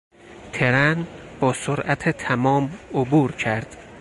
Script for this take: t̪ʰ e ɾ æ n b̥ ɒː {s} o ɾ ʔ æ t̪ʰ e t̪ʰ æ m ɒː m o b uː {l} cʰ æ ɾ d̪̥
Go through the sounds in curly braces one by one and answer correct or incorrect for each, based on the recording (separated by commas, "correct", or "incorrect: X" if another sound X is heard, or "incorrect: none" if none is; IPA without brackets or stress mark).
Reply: correct, incorrect: ɾ